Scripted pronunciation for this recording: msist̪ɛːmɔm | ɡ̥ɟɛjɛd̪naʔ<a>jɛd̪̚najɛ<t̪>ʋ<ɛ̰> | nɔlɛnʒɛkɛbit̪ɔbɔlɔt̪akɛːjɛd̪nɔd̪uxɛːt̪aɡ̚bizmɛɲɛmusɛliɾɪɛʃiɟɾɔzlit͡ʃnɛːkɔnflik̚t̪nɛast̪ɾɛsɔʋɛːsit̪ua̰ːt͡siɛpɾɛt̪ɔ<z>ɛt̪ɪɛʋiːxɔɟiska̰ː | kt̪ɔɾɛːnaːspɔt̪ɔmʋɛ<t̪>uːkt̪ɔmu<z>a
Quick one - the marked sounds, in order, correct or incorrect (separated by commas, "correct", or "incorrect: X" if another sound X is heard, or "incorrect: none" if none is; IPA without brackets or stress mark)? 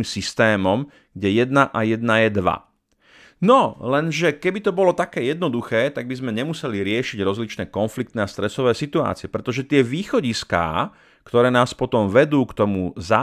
correct, incorrect: d̪, incorrect: a̰, incorrect: ʒ, incorrect: d̪, correct